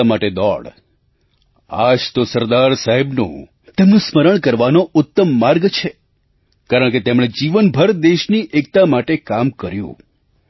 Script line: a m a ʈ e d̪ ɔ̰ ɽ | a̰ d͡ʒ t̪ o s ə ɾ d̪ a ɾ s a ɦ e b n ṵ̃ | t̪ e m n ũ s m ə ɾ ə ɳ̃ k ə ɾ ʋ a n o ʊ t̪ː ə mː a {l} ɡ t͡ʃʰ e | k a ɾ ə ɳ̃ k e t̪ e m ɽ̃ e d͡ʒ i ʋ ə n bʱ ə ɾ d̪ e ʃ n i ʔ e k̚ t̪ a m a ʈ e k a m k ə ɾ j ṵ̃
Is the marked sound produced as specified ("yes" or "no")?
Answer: no